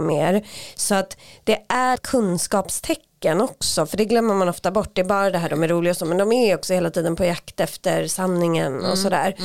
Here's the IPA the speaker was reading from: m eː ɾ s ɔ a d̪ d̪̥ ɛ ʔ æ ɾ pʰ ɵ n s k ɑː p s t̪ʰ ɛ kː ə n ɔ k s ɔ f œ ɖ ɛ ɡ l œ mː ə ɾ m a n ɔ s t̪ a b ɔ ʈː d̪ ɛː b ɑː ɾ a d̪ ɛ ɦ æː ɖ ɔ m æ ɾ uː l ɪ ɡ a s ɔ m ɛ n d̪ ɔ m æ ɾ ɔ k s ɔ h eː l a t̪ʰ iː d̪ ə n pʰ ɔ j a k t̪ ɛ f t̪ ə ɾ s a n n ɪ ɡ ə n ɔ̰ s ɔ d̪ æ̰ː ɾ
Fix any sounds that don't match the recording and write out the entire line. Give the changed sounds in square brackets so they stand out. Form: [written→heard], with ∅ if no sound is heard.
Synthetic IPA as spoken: m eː ɾ s ɔ a [d̪→t̪] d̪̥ ɛ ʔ æ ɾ [pʰ→kʰ] ɵ n s k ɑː p s t̪ʰ ɛ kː ə n ɔ k s ɔ f œ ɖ ɛ ɡ l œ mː ə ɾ m a n ɔ [s→f] t̪ a b ɔ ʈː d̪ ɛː b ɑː ɾ a d̪ ɛ ɦ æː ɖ ɔ m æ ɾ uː l ɪ ɡ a s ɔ m ɛ n d̪ ɔ m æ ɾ ɔ k s ɔ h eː l a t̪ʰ iː d̪ ə n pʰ ɔ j a k t̪ ɛ f t̪ ə ɾ s a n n ɪ [ɡ→ŋ] ə n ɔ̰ s ɔ d̪ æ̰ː ɾ